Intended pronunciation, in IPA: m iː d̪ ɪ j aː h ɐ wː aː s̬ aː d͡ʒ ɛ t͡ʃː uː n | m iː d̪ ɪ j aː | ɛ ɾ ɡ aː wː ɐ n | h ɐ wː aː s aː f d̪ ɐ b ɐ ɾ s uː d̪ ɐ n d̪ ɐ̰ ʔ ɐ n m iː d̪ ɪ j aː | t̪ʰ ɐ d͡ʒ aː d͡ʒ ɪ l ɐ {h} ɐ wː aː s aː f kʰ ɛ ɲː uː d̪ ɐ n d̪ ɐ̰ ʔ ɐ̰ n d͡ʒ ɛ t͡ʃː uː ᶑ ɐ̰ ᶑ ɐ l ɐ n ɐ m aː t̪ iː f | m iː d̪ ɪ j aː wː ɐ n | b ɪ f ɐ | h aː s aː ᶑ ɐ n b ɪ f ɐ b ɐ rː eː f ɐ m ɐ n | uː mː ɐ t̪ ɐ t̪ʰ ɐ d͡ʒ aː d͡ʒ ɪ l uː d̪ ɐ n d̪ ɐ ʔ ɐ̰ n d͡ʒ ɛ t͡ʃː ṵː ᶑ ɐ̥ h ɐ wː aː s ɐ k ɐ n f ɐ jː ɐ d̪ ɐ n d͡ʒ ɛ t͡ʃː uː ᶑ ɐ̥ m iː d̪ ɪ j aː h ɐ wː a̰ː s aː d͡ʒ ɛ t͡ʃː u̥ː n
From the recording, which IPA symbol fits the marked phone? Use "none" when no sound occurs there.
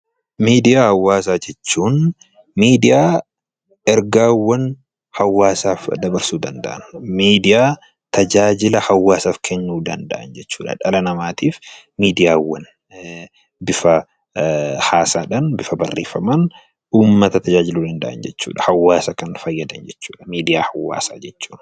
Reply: h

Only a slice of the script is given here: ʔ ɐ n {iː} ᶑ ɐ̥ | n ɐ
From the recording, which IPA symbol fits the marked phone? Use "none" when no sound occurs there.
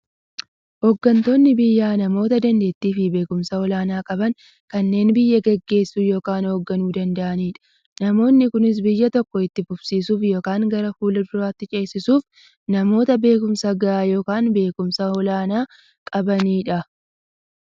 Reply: iː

